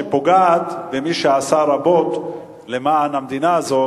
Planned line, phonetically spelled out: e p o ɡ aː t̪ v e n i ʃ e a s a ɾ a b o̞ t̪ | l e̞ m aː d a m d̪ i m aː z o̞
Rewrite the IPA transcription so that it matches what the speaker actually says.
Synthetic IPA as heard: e p o ɡ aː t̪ v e m i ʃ e a s a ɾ a b o̞ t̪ | l e̞ m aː n a m d̪ i n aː z o̞